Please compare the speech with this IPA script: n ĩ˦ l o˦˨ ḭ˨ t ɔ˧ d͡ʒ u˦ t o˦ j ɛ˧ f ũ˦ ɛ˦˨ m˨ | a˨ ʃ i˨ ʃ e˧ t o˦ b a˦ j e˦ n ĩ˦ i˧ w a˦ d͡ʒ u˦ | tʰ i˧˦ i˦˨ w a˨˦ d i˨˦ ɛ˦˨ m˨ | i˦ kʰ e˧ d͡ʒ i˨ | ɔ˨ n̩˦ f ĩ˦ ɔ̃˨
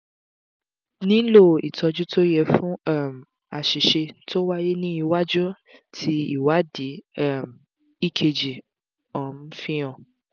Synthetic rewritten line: n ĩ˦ l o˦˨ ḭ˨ t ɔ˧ d͡ʒ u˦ t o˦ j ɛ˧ f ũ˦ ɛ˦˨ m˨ | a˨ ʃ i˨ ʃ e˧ t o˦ w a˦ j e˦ n ĩ˦ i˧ w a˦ d͡ʒ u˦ | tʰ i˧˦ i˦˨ w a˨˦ d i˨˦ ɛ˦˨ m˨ | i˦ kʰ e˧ d͡ʒ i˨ | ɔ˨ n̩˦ f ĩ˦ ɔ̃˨